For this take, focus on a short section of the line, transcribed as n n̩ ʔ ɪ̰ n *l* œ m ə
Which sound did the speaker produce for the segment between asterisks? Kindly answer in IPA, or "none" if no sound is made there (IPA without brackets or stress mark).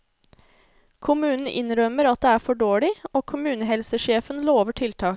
ɾ